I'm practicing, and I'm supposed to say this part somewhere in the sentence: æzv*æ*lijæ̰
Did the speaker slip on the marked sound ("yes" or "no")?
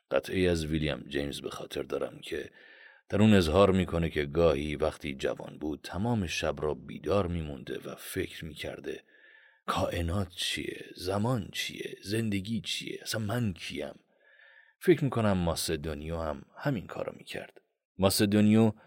yes